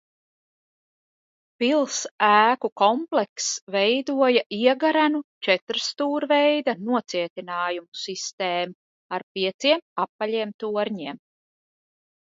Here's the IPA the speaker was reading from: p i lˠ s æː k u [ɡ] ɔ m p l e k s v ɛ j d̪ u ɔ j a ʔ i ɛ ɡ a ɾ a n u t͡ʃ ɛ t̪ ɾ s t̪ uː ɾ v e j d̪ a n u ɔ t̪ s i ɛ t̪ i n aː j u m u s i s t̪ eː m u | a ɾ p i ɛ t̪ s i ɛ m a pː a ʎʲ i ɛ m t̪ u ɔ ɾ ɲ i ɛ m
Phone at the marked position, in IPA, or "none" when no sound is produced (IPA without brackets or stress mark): k